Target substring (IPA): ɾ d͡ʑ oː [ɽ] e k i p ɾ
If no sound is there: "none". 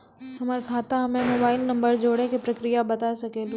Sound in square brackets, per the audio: ɽ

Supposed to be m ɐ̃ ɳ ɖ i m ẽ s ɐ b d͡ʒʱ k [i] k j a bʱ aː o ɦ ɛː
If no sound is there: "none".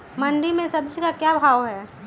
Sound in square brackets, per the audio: a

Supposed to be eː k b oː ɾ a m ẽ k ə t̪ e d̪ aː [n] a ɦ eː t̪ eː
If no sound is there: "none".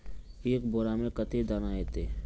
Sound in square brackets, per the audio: n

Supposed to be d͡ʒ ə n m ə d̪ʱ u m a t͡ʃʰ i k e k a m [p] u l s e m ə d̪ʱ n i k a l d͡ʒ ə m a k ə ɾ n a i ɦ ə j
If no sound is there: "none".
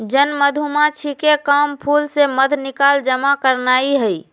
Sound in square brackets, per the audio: pʰ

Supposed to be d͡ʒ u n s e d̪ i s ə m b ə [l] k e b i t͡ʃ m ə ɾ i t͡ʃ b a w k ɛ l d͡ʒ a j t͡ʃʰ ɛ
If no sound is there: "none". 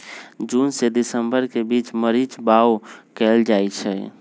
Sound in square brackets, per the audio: ɾ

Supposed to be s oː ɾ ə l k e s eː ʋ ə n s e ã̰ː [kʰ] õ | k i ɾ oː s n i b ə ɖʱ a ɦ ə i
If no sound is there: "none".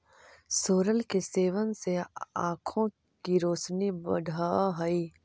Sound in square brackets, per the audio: kʰ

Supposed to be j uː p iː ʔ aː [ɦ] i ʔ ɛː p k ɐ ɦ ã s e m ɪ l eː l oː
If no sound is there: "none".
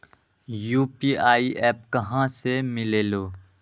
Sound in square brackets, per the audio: none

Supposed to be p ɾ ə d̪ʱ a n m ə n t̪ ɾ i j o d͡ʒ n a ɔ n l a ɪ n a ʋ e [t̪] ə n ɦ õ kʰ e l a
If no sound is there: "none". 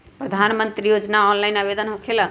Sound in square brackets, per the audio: d̪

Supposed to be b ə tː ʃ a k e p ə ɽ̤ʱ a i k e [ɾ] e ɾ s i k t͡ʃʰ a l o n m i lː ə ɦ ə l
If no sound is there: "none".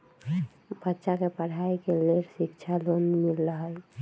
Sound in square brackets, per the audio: l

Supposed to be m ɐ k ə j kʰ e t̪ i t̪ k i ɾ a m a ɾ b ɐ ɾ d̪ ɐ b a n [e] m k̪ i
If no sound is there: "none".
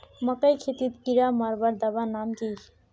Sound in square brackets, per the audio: a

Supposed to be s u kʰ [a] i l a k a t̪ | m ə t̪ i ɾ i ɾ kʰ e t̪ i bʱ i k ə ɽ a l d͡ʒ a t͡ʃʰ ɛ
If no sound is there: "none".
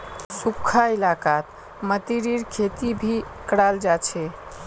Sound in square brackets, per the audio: a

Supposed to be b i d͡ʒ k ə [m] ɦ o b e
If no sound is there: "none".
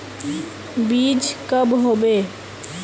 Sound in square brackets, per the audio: b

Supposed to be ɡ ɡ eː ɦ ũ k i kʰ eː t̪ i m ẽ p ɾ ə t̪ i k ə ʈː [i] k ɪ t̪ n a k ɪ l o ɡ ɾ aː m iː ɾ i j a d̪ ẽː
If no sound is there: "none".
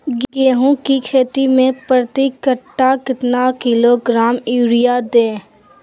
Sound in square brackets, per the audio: a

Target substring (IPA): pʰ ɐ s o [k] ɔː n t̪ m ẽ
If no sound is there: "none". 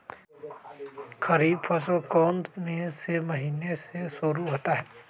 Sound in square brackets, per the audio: k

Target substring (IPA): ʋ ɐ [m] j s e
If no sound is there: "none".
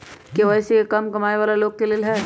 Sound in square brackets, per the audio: none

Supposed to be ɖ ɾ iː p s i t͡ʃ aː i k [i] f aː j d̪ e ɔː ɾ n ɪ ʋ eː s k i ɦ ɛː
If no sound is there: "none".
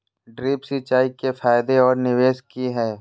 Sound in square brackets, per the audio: e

